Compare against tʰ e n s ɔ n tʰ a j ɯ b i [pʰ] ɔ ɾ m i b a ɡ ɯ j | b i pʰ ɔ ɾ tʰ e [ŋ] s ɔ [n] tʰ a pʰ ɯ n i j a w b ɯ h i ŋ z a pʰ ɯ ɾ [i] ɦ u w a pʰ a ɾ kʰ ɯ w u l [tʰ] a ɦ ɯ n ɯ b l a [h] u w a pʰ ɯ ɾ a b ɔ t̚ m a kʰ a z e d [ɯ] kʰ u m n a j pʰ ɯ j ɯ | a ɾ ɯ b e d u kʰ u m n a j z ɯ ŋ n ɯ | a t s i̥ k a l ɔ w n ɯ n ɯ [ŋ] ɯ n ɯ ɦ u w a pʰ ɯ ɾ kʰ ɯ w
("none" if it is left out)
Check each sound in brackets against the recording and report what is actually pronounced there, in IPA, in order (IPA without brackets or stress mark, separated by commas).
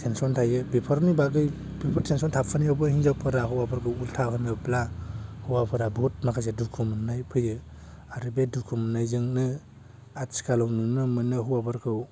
pʰ, n, n, a, tʰ, h, u, m